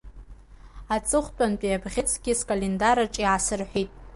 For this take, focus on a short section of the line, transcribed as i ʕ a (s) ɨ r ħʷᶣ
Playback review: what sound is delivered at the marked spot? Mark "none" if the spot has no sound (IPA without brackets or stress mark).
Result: s